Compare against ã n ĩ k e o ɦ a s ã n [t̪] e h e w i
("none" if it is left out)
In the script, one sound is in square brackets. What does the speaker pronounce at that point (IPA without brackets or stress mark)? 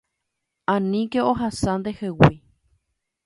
d̪